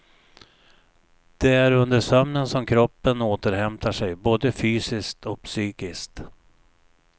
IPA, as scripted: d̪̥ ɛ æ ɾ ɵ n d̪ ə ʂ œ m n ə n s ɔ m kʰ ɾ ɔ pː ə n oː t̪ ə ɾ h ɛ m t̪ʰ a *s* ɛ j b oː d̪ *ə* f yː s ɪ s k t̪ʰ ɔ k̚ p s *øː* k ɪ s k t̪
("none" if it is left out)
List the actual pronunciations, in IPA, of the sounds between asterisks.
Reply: ʂ, ə, yː

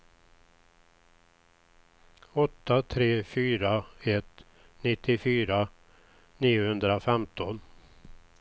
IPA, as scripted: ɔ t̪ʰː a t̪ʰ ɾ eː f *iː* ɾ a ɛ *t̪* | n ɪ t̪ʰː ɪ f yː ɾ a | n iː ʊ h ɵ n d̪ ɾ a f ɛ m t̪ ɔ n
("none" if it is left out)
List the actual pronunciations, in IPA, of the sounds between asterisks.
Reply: yː, t̪

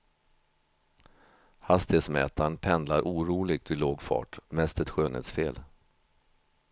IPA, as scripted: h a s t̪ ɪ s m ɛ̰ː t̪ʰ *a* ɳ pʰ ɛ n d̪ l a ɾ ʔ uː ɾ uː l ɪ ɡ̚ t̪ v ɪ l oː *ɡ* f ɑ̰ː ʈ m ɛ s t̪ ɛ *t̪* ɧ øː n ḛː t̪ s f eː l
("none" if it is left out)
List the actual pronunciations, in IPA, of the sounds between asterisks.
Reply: a, ɡ, t̪

